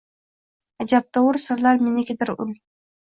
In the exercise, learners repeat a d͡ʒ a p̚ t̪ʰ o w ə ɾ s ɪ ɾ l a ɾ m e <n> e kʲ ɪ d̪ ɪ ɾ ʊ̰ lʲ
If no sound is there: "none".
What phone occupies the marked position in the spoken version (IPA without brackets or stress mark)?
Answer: n